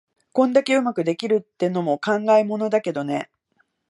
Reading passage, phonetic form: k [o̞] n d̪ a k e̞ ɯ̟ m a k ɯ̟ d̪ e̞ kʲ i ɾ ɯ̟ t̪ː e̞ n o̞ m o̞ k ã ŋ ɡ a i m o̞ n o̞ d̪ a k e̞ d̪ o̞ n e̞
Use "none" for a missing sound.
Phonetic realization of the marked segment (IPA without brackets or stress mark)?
õ̞